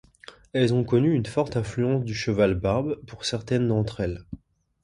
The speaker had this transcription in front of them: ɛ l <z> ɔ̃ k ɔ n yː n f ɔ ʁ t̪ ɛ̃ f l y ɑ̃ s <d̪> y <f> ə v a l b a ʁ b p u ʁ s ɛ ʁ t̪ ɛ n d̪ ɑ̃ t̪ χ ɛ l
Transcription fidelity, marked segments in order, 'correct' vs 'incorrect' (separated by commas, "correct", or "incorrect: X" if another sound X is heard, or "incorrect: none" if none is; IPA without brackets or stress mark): correct, correct, incorrect: ʃ